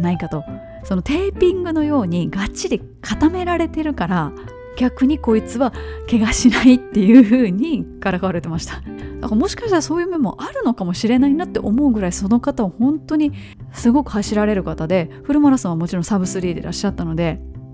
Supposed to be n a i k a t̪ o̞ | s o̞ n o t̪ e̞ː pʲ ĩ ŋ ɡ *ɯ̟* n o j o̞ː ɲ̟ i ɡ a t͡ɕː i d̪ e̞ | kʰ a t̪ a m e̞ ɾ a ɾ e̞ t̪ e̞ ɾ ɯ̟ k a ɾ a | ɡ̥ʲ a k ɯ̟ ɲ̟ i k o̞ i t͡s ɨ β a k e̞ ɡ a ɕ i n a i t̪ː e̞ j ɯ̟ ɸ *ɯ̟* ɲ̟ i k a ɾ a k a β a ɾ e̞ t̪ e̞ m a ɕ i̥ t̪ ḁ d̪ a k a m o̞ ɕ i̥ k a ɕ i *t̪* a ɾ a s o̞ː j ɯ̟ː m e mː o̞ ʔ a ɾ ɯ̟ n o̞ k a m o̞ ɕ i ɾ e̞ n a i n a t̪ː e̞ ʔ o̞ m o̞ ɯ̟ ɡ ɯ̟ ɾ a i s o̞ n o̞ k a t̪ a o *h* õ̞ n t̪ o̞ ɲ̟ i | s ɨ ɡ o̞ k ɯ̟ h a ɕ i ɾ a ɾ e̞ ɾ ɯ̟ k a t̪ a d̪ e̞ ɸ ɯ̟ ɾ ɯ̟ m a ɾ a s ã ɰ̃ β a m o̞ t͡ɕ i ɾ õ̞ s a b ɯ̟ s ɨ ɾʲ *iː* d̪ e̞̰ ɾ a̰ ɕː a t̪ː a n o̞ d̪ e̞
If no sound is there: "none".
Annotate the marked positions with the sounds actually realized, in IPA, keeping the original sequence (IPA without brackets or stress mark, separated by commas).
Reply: ɯ̟, ɯ̟ː, t̪, h, iː